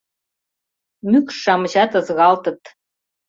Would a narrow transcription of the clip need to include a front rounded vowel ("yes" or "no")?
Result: yes